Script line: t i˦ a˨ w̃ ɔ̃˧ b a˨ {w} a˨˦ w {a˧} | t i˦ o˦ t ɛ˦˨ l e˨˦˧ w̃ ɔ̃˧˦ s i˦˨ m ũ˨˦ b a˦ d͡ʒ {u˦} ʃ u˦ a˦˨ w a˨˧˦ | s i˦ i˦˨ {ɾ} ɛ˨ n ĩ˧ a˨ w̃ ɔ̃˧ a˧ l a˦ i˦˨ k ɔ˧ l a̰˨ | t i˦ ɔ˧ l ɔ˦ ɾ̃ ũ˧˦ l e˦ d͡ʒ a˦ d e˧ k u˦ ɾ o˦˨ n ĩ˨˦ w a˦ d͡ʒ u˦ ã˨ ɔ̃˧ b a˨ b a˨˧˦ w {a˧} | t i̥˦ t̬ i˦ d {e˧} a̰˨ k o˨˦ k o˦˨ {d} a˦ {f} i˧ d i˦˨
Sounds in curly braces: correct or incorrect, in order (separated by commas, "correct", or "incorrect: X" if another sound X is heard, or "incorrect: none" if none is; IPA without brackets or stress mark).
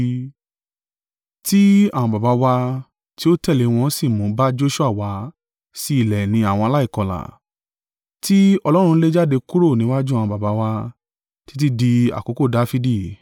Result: incorrect: b, correct, incorrect: o˦, incorrect: l, correct, incorrect: i˧, correct, correct